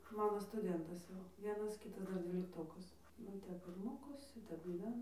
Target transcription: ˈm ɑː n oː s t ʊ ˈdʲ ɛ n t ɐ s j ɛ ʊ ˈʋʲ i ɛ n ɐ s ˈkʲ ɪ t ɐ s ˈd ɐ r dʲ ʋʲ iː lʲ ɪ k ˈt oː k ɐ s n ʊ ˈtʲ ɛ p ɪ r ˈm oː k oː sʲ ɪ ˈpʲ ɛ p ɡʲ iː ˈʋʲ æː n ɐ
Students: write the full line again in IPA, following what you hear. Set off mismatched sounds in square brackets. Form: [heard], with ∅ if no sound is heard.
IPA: ˈm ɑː n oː s t ʊ ˈdʲ ɛ n t ɐ s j ɛ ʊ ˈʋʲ i ɛ n ɐ s ˈkʲ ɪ t ɐ s ˈd ɐ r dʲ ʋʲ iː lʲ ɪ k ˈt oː k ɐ s n ʊ ˈtʲ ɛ p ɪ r ˈm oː k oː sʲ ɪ [ˈtʲ] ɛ p ɡʲ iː ˈʋʲ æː n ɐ